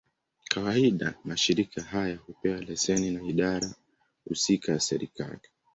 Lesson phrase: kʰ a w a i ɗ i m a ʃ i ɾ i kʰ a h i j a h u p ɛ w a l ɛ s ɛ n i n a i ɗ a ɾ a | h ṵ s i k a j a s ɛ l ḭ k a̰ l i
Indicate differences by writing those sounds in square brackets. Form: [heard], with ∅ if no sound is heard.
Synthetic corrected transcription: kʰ a w a i ɗ [a] m a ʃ i ɾ i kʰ a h [a] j a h u p ɛ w a l ɛ s ɛ n i n a i ɗ a ɾ a | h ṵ s i k a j a s ɛ [ɾ] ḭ k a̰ l i